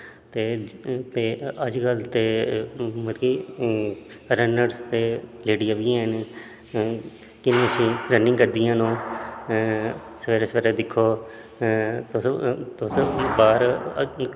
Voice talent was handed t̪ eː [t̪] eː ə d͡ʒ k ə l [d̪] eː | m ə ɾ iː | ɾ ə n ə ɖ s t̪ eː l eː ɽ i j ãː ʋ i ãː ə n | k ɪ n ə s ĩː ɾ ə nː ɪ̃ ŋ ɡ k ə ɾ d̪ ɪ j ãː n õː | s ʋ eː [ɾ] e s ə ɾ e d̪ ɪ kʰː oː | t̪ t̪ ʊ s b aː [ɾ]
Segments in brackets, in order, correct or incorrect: correct, incorrect: t̪, correct, correct

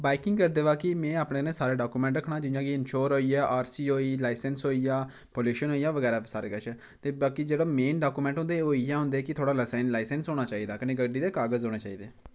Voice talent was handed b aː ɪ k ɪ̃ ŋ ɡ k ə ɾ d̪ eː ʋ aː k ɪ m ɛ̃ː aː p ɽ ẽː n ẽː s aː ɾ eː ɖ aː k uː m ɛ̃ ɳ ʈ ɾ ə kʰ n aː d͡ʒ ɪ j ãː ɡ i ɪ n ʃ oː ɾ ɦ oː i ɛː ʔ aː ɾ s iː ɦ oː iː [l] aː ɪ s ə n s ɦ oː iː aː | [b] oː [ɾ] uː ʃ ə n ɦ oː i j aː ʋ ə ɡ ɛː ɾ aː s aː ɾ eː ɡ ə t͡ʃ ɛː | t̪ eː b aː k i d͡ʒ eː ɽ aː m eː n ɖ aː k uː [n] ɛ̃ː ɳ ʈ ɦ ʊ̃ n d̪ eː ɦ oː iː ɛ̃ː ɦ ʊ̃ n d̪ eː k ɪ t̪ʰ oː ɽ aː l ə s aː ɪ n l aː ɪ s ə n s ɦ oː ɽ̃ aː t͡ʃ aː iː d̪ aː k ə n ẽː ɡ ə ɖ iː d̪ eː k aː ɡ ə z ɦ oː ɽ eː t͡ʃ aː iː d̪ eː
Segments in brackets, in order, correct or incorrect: correct, incorrect: p, incorrect: l, incorrect: m

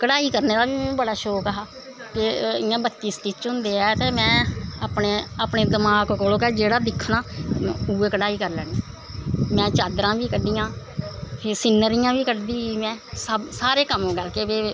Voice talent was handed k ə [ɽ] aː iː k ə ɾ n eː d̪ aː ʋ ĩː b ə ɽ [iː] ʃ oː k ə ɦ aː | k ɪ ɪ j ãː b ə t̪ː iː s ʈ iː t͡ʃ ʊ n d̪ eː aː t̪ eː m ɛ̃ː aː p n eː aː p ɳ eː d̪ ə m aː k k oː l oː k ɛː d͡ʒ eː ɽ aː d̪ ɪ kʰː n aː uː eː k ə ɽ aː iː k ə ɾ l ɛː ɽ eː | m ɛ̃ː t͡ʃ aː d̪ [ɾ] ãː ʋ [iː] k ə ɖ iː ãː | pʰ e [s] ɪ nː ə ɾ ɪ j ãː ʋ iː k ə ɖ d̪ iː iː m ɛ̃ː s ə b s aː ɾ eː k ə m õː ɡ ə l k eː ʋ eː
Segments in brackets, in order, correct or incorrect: correct, incorrect: aː, correct, correct, correct

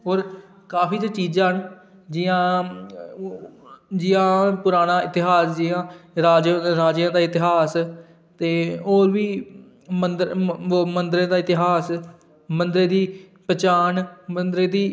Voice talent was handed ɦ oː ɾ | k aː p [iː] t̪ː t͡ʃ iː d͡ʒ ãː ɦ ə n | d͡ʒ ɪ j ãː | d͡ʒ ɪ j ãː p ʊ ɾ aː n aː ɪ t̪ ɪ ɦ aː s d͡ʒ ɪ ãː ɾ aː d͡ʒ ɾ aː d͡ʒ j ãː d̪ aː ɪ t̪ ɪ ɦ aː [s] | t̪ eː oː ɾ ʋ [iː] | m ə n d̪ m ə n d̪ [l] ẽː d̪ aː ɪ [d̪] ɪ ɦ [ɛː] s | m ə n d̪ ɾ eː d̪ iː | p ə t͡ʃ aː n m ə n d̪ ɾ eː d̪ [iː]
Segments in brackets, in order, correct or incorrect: correct, correct, correct, incorrect: ɾ, incorrect: t̪, incorrect: aː, correct

